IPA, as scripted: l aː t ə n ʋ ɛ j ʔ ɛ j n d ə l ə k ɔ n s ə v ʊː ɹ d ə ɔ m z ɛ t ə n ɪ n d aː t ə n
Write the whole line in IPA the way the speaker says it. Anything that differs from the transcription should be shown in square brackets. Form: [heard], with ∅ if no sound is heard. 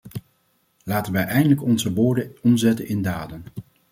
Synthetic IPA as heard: l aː t ə n ʋ ɛ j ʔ ɛ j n d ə l ə k ɔ n [z] ə [ʋ] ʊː ɹ d ə ɔ m z ɛ t ə n ɪ n d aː [d] ə n

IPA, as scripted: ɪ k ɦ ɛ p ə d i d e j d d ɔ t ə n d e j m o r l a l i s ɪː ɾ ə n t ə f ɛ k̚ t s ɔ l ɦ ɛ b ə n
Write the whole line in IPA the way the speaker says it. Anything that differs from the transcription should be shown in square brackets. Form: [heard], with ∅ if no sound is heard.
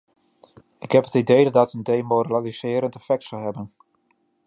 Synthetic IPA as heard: ɪ k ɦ ɛ p ə [t] i d e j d d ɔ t ə n d e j m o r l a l i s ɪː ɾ ə n t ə f ɛ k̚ t s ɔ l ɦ ɛ b ə n

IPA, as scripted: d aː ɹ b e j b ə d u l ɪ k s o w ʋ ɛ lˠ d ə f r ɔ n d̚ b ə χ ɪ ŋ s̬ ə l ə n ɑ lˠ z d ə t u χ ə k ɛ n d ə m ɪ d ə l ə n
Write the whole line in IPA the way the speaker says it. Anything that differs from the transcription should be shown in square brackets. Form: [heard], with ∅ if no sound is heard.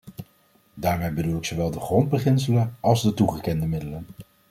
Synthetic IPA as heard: d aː ɹ [m] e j b ə d u l ɪ k s o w ʋ ɛ lˠ d ə [χ] r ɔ n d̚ b ə χ ɪ [n] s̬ ə l ə n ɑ lˠ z d ə t u χ ə k ɛ n d ə m ɪ d ə l ə n

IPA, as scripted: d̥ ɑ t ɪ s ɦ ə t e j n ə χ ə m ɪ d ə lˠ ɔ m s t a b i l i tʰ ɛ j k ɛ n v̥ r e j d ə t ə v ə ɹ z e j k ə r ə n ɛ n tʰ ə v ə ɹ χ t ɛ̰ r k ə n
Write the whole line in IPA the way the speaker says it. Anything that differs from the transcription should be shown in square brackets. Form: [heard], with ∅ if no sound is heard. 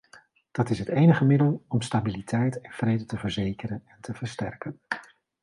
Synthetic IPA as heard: d̥ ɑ t ɪ s ɦ ə t e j n ə χ ə m ɪ d ə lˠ ɔ m s t a b i l i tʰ ɛ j [t] ɛ n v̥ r e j d ə t ə v ə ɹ z e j k ə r ə n ɛ n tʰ ə v ə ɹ [s] t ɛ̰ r k ə n

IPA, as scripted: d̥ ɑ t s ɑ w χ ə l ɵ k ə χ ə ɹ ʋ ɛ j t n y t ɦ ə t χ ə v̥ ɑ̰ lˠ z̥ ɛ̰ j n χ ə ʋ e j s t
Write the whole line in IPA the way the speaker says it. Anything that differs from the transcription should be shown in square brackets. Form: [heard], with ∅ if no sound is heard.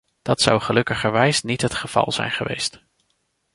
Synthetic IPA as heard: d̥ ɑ t s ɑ w χ ə l ɵ k ə χ ə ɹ ʋ ɛ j [s] n [i] t ɦ ə t χ ə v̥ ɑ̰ lˠ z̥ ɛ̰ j n χ ə ʋ e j s t

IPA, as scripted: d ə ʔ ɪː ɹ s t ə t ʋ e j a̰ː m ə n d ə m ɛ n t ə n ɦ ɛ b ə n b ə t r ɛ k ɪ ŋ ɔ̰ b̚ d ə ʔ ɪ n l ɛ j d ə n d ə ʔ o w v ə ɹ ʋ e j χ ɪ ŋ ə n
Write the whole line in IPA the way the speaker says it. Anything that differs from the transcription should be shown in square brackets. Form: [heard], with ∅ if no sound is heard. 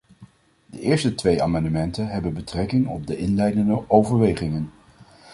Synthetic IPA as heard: d ə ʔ ɪː ɹ s t ə t ʋ e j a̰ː m [ɑ] n d ə m ɛ n t ə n ɦ ɛ b ə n b ə t r ɛ k ɪ ŋ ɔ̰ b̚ d ə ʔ ɪ n l ɛ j d ə n d ə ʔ o w v ə ɹ ʋ e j χ ɪ ŋ ə n

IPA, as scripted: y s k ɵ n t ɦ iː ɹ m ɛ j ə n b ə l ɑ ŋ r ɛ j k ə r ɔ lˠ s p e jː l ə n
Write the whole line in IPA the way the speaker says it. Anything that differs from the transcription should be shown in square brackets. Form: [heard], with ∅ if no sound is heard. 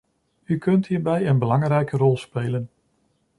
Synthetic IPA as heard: y [∅] k ɵ n t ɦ iː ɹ [b] ɛ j ə n b ə l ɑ ŋ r ɛ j k ə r ɔ lˠ s p e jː l ə n

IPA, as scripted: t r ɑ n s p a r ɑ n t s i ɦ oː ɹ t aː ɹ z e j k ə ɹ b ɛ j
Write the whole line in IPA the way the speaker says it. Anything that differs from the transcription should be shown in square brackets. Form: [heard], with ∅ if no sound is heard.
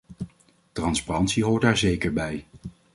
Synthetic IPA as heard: t r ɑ n s p a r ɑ n t s i ɦ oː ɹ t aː ɹ z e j k ə ɹ b ɛ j

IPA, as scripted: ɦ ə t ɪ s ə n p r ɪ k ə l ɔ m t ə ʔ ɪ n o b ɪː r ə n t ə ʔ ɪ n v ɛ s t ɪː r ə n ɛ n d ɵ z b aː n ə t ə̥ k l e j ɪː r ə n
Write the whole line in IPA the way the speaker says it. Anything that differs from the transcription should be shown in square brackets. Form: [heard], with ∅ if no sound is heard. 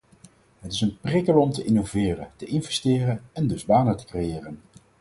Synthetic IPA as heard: ɦ ə t ɪ s ə n p r ɪ k ə l ɔ m t ə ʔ ɪ n o [v] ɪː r ə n t ə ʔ ɪ n v ɛ s t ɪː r ə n ɛ n d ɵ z b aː n ə t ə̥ k [r] e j ɪː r ə n

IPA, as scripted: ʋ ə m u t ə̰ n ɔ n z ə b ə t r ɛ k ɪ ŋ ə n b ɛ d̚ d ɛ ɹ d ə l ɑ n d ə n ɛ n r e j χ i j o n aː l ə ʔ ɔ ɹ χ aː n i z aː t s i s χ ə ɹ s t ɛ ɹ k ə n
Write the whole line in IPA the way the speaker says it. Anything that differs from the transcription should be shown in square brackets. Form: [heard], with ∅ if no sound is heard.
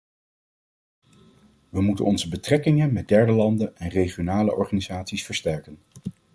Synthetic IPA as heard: ʋ ə m u t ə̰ n ɔ n z ə b ə t r ɛ k ɪ ŋ ə n [m] ɛ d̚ d ɛ ɹ d ə l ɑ n d ə n ɛ n r e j χ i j o n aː l ə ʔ ɔ ɹ χ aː n i z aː t s i s [f] ə ɹ s t ɛ ɹ k ə n

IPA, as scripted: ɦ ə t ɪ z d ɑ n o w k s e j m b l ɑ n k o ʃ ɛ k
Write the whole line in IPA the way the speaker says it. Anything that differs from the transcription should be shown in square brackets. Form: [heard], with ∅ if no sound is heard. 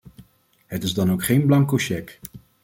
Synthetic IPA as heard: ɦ ə t ɪ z d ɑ n o w k [χ] e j [n] b l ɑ [ŋ] k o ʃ ɛ k

